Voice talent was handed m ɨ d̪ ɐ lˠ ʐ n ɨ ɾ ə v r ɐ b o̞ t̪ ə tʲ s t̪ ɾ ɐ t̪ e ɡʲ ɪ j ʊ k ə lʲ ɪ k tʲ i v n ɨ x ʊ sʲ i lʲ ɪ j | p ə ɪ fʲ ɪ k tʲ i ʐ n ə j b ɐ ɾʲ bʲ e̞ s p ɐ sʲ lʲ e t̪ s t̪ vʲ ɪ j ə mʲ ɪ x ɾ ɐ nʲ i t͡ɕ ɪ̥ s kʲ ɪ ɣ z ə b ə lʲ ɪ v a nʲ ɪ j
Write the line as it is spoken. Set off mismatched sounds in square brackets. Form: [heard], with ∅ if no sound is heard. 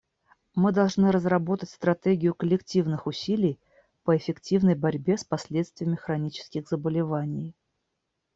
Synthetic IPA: m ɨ d̪ ɐ lˠ ʐ n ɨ ɾ ə [z] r ɐ b o̞ t̪ ə tʲ s t̪ ɾ ɐ t̪ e ɡʲ ɪ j ʊ k ə lʲ ɪ k tʲ i v n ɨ x ʊ sʲ i lʲ ɪ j | p ə ɪ fʲ ɪ k tʲ i [v] n ə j b ɐ ɾʲ bʲ e̞ s p ɐ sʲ lʲ e t̪ s t̪ vʲ ɪ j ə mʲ ɪ x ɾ ɐ nʲ i t͡ɕ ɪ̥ s kʲ ɪ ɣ z ə b ə lʲ ɪ v a nʲ ɪ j